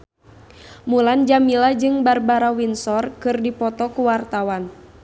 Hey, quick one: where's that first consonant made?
lips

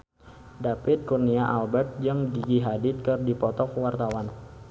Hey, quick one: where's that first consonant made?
tongue tip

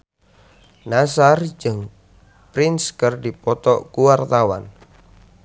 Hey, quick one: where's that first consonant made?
tongue tip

